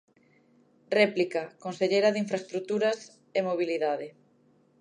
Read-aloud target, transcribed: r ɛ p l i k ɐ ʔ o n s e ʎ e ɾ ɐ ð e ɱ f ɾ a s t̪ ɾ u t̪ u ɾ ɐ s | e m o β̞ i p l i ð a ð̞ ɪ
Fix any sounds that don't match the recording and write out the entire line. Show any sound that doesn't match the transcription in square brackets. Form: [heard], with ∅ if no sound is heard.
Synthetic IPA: r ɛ p l i k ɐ [k] o n s e ʎ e ɾ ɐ ð [i] ɱ f ɾ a s t̪ ɾ u t̪ u ɾ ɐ s | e m o β̞ i [∅] l i ð a ð̞ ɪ